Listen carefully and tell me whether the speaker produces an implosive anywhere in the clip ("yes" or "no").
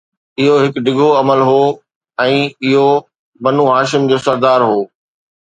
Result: no